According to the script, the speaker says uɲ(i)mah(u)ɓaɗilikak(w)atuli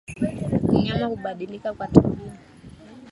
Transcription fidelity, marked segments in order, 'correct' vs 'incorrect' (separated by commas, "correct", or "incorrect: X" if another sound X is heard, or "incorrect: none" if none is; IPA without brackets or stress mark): incorrect: a, correct, correct